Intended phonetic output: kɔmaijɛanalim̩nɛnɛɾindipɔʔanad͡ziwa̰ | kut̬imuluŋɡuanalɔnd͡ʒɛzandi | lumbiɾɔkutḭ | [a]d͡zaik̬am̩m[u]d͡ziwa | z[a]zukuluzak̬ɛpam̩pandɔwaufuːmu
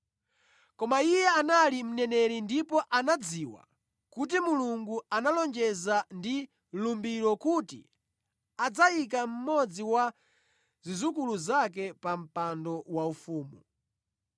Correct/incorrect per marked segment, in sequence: correct, incorrect, incorrect

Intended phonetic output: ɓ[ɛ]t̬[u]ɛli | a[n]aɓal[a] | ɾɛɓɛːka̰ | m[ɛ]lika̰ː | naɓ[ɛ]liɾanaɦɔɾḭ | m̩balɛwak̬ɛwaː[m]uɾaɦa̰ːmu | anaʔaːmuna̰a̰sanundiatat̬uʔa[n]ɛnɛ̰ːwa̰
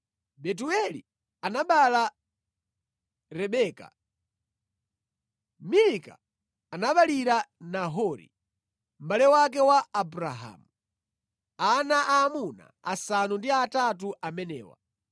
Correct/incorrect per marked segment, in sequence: correct, correct, correct, correct, incorrect, incorrect, incorrect, incorrect

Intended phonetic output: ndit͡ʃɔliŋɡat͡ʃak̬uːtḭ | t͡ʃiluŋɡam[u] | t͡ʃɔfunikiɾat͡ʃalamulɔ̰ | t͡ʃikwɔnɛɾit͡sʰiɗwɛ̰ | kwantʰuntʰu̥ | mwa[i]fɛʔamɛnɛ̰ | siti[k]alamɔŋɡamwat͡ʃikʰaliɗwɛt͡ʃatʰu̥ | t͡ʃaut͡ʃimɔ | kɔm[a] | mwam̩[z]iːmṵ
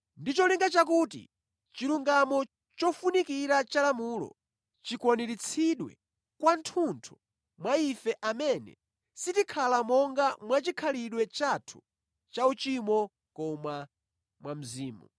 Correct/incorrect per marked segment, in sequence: incorrect, correct, incorrect, correct, correct

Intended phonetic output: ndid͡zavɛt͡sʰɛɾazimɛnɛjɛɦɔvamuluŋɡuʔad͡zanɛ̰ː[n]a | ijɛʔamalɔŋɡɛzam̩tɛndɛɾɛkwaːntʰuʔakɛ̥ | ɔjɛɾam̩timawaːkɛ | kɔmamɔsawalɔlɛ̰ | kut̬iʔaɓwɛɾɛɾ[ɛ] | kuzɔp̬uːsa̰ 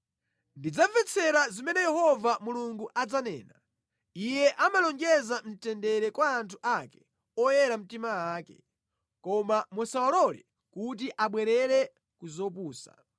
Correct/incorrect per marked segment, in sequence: correct, correct

